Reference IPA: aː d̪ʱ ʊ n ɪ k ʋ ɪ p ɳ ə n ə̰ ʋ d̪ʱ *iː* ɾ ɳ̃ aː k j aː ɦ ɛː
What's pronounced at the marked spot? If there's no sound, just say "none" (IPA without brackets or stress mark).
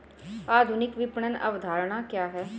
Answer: aː